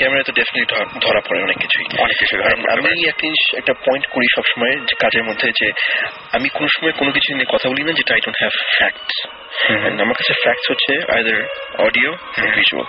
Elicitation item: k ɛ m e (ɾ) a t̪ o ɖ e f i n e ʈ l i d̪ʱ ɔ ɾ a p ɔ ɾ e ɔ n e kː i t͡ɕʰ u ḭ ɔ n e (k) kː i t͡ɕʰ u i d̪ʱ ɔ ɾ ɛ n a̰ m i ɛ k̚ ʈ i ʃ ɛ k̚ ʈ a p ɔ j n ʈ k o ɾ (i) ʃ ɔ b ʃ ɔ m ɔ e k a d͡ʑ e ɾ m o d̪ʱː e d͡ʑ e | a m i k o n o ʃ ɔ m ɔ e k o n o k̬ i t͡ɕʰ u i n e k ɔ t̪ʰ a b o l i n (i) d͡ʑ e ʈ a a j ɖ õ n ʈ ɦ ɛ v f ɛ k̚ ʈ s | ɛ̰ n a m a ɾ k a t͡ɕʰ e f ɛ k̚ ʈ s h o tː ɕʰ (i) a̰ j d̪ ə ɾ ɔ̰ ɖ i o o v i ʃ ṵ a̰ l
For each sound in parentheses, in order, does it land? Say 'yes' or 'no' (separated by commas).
yes, yes, yes, no, no